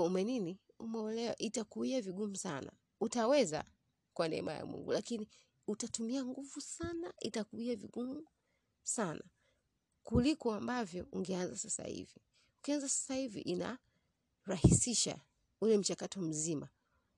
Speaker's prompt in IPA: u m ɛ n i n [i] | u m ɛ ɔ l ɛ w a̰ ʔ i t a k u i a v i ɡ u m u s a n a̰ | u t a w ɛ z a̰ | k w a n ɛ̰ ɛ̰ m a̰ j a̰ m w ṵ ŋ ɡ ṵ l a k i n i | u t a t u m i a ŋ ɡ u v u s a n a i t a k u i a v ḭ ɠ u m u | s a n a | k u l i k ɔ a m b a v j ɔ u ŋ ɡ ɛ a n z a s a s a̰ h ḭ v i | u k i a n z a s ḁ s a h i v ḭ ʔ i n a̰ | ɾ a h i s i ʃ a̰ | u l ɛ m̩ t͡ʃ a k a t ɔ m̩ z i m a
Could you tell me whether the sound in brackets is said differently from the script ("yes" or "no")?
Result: no